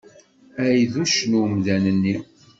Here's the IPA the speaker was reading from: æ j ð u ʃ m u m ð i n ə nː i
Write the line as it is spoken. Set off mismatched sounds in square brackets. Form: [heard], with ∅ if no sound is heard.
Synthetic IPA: æ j ð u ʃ [n] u m ð [æ] n ə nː i